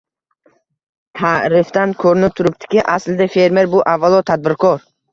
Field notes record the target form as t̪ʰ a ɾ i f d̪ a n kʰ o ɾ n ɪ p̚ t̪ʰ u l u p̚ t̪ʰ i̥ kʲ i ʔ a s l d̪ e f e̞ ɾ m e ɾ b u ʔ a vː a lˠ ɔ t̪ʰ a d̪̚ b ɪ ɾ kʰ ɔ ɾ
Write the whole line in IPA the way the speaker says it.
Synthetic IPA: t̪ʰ a ɾ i f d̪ a n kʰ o ɾ n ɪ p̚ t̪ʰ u ɾ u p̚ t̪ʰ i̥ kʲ i ʔ a s l d̪ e f e̞ ɾ m e ɾ b u ʔ a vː a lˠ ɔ t̪ʰ a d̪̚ b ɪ ɾ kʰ ɔ ɾ